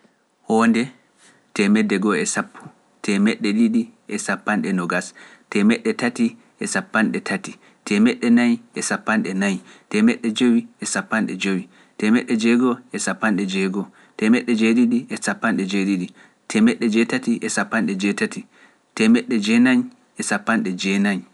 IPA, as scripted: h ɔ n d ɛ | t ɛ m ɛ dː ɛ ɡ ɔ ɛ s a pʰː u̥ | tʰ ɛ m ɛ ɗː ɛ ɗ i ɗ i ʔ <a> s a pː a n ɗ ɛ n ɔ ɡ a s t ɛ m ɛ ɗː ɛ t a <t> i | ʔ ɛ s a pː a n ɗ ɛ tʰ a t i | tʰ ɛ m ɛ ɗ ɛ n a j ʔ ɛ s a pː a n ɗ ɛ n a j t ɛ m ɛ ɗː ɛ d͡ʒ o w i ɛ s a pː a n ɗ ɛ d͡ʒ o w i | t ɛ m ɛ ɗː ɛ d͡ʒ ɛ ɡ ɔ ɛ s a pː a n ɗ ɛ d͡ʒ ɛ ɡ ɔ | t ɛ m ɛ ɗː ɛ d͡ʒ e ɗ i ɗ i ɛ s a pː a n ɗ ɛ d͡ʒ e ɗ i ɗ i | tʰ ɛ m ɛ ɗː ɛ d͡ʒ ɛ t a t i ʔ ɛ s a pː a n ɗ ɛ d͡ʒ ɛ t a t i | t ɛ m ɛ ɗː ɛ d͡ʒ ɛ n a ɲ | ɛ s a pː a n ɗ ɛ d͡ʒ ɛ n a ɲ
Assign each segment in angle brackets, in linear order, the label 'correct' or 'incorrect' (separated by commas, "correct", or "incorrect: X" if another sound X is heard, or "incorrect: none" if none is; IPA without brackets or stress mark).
incorrect: ɛ, correct